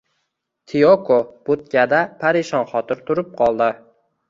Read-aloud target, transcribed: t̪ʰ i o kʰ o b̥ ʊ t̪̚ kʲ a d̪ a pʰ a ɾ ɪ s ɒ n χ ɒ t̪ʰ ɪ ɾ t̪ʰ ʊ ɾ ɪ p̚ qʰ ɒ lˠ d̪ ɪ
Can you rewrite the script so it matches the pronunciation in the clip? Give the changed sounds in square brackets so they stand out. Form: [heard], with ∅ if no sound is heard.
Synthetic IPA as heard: t̪ʰ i o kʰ o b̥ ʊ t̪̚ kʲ a d̪ a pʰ a ɾ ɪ [ʃ] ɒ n χ ɒ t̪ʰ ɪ ɾ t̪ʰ ʊ ɾ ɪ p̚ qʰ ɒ lˠ d̪ ɪ

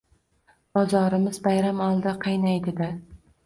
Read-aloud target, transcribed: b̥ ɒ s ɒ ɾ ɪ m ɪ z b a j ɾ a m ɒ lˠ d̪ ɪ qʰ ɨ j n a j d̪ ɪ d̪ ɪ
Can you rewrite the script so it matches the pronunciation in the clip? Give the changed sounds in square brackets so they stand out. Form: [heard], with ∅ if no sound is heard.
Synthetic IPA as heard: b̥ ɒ [z] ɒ ɾ ɪ m ɪ z b a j ɾ a m ɒ lˠ d̪ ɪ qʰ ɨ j n a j d̪ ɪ d̪ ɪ

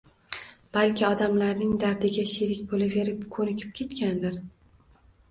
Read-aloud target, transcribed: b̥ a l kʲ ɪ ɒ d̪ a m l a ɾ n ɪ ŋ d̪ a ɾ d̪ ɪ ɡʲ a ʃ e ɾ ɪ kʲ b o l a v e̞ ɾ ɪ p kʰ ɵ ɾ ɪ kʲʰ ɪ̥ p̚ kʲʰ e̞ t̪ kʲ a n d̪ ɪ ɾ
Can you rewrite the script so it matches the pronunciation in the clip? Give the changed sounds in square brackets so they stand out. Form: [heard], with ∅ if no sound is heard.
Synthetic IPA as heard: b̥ a l kʲ ɪ ɒ d̪ a m l a ɾ n ɪ ŋ d̪ a ɾ d̪ ɪ ɡʲ a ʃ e ɾ ɪ kʲ b o l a v e̞ ɾ ɪ p kʰ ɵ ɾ ɪ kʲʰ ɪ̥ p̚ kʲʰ e̞ t̪ kʲ a n d̪ ɪ ɾ

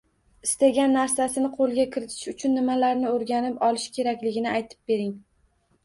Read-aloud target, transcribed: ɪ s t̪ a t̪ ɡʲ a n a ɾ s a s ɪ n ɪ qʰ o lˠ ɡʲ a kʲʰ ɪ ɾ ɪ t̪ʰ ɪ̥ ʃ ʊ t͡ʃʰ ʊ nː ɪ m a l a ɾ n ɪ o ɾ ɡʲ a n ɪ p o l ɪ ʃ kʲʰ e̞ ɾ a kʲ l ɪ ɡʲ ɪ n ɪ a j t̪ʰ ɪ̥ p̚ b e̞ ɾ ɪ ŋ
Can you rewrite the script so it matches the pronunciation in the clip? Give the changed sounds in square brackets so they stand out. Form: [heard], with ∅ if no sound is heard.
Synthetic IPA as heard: ɪ s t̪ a [∅] ɡʲ a [nː] a ɾ s a s ɪ n ɪ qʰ o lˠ ɡʲ a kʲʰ ɪ ɾ ɪ t̪ʰ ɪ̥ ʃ ʊ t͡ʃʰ ʊ nː ɪ m a l a ɾ n ɪ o ɾ ɡʲ a n ɪ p [ɒ] l ɪ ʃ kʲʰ e̞ ɾ a kʲ l ɪ ɡʲ ɪ n ɪ a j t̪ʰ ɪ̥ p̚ b e̞ ɾ ɪ ŋ

